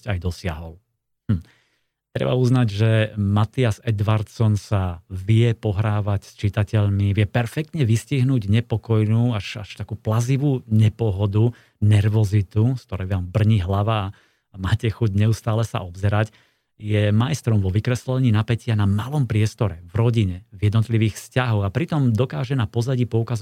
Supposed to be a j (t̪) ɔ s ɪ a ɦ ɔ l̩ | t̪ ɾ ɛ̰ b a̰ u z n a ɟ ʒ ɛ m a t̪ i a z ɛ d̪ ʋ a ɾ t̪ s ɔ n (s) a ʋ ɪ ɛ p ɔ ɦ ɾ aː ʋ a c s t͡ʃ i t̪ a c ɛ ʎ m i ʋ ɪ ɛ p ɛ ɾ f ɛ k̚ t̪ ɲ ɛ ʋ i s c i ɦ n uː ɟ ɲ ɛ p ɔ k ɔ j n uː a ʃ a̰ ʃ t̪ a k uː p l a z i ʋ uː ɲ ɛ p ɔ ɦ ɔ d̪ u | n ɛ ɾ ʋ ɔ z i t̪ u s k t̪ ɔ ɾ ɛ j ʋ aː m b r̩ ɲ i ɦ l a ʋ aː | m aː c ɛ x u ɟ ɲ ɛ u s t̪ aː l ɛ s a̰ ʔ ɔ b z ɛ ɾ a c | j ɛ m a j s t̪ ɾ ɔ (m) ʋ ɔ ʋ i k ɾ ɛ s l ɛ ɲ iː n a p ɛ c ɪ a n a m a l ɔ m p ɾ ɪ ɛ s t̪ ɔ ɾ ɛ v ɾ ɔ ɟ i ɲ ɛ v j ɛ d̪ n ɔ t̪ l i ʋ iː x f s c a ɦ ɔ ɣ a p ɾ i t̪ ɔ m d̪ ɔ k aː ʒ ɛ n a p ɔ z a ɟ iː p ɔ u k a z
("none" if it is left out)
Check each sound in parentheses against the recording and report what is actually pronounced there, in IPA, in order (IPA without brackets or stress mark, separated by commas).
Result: d̪, s, m